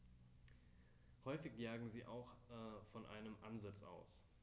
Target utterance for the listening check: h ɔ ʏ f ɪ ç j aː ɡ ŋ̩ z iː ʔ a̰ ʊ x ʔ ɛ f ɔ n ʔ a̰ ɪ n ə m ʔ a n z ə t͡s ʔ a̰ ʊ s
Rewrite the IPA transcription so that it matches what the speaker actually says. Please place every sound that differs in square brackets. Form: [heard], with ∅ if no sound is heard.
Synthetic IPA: h ɔ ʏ f ɪ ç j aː ɡ ŋ̩ z iː ʔ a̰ ʊ x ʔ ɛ f ɔ n ʔ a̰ ɪ n ə m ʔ a n z [a] t͡s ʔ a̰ ʊ s